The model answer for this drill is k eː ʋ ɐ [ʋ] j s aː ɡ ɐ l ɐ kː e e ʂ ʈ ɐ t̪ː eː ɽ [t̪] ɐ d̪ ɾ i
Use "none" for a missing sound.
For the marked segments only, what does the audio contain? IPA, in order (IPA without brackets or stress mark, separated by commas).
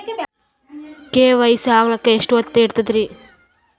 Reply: none, t̪